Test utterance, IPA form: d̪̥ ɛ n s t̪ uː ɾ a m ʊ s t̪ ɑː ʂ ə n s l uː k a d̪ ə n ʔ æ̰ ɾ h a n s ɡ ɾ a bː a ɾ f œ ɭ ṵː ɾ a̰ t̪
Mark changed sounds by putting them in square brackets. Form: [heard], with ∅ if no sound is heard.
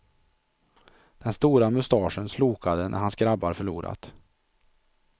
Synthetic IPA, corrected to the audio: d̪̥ ɛ n s t̪ uː ɾ a m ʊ s t̪ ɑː ʂ ə n s l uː k a d̪ ə n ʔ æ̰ ɾ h a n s ɡ ɾ a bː a ɾ f œ ɭ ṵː ɾ a̰ t̪